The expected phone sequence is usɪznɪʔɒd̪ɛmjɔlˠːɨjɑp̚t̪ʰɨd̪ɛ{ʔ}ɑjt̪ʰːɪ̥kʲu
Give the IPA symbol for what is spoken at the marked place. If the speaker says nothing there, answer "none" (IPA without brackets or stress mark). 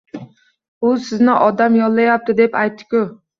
p